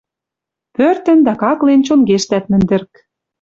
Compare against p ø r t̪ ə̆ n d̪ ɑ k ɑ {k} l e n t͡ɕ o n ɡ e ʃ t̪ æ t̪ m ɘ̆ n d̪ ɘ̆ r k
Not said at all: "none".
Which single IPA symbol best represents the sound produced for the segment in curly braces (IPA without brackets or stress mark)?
k